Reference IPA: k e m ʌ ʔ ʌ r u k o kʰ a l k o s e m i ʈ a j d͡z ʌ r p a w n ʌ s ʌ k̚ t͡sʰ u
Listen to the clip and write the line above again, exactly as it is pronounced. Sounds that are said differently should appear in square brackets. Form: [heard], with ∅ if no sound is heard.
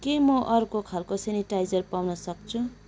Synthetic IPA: k e m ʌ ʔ ʌ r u k o kʰ a l k o s e [n] i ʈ a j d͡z ʌ r p a w n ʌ s ʌ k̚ t͡sʰ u